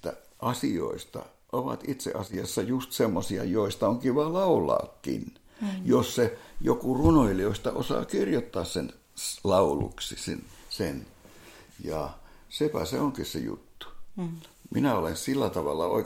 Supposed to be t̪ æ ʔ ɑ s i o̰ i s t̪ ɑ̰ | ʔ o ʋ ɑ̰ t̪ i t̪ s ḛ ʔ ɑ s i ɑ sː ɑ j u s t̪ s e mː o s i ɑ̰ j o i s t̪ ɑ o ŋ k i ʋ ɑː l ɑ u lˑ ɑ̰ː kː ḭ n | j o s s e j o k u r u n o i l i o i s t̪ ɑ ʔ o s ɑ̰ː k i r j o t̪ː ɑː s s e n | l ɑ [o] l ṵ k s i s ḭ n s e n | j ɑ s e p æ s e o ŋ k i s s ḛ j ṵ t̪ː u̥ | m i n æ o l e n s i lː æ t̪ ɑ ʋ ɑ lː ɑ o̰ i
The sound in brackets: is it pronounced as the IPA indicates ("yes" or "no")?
no